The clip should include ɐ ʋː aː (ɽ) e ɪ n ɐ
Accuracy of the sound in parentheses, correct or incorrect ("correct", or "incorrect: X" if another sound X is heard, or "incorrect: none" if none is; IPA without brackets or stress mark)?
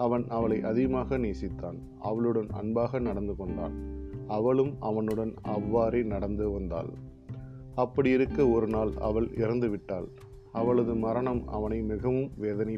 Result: incorrect: ɾ